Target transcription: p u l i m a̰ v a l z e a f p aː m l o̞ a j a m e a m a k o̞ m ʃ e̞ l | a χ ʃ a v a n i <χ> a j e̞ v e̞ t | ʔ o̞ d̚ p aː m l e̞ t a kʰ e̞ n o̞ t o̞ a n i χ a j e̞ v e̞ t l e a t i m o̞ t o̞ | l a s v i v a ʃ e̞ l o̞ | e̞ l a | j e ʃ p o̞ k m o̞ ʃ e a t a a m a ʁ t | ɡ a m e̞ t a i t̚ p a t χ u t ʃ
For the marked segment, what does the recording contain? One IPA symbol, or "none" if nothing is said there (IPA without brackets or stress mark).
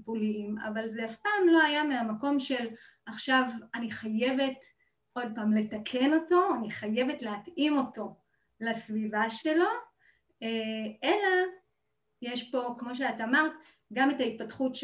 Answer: χ